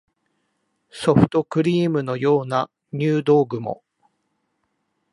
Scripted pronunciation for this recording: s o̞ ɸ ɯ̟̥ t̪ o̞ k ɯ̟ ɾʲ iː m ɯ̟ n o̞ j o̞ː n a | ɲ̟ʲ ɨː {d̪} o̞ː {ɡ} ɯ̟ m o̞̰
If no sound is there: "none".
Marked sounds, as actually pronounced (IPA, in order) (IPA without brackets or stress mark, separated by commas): d̪, ɡ